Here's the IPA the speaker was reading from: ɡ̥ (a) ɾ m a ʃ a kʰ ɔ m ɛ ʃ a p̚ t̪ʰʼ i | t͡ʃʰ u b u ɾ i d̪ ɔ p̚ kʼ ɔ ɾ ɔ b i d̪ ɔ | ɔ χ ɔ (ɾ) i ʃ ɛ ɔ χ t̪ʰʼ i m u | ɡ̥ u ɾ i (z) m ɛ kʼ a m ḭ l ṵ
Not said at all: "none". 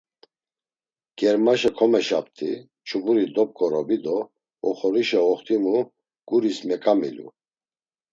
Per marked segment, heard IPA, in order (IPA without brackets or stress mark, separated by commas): ɛ, ɾ, s